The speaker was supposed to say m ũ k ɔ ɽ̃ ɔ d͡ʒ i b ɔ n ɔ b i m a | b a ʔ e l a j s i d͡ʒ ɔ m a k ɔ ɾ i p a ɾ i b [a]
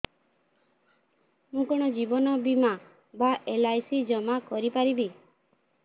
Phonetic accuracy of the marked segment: incorrect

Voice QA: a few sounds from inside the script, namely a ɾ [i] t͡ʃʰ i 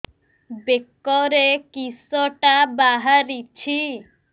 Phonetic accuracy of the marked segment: correct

